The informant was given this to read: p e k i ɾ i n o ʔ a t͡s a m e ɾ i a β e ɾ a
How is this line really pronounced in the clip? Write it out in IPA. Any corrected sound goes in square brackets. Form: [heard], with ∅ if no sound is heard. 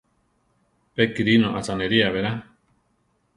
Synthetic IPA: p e k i ɾ i n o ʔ a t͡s a [n] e ɾ i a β e ɾ a

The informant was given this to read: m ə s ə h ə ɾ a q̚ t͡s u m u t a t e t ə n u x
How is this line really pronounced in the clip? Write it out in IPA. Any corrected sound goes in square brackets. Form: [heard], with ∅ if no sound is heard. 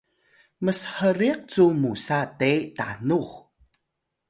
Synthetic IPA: m ə s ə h ə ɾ [i] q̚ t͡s u m u [s] a t e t [a] n u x

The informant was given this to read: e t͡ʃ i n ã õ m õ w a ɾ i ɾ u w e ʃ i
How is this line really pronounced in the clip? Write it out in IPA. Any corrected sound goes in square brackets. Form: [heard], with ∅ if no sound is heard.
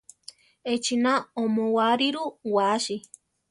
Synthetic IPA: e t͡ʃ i n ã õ m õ w a ɾ i ɾ u w [a] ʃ i

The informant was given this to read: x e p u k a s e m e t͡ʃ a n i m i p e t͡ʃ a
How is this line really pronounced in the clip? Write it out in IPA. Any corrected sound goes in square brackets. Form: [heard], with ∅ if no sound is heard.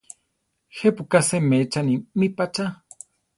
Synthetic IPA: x e p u k a s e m e t͡ʃ a n i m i p [a] t͡ʃ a

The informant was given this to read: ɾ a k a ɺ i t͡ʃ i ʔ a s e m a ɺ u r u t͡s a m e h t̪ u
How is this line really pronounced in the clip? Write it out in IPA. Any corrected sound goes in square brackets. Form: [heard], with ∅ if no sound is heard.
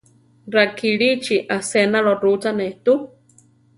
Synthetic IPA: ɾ a k [i] ɺ i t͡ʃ i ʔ a s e [n] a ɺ [o] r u t͡s a [n] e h t̪ u

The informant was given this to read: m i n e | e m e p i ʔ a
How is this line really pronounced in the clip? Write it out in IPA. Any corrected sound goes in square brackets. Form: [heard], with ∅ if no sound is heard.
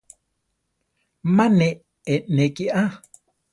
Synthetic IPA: m [a] n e | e [n] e [k] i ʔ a

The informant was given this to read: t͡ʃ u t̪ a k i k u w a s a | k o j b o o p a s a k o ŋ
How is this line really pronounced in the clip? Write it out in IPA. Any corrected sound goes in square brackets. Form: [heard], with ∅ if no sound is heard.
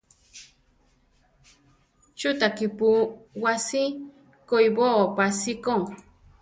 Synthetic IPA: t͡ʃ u t̪ a k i [p] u w a s [i] | k o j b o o p a s [i] k o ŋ

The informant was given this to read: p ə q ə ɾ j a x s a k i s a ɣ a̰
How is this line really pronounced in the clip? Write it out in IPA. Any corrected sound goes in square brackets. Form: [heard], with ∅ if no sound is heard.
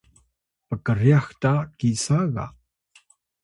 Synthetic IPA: p ə [k] ə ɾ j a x [t] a k i s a ɣ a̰

